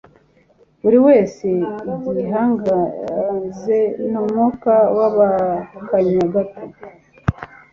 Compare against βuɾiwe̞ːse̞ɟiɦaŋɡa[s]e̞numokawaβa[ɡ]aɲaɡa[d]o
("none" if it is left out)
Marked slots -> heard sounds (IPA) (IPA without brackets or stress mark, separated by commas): z, k, t